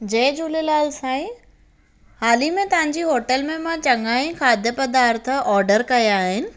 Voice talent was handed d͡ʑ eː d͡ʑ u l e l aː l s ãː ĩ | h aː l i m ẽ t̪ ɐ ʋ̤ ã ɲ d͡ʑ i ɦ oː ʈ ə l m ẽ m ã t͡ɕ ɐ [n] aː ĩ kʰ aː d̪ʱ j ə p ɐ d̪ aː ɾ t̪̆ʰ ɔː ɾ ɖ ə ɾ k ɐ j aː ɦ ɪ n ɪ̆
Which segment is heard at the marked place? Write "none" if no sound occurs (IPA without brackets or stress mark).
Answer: ŋ